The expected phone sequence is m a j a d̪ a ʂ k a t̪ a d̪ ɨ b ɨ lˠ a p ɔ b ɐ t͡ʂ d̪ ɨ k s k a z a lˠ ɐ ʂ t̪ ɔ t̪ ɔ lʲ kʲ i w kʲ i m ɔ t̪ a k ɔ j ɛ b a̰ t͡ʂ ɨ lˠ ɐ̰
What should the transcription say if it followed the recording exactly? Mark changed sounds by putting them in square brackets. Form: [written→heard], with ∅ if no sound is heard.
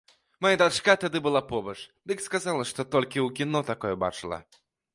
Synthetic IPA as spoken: m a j a d̪ a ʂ k a t̪ a d̪ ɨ b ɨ lˠ a p ɔ b ɐ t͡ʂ d̪ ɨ k s k a z a lˠ ɐ ʂ t̪ ɔ t̪ ɔ lʲ kʲ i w kʲ i [m→n] ɔ t̪ a k ɔ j ɛ b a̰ t͡ʂ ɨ lˠ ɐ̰